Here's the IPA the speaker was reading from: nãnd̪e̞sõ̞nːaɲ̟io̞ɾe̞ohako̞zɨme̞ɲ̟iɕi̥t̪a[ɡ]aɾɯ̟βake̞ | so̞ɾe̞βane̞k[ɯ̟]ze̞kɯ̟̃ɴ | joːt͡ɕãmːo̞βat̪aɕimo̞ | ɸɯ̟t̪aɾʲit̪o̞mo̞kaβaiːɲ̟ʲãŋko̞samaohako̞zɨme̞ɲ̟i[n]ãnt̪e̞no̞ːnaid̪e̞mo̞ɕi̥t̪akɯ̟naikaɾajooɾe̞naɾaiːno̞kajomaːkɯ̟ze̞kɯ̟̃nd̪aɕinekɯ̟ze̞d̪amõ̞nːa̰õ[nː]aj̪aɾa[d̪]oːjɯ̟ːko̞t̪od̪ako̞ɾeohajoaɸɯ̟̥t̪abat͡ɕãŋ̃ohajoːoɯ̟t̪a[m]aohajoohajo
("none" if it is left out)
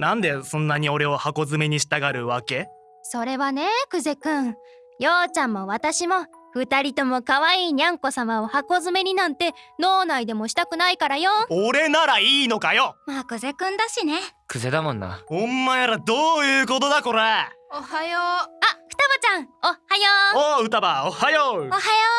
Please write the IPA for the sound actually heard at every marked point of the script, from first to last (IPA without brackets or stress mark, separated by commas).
ɡ, ɯ̟, n, mː, d̪, b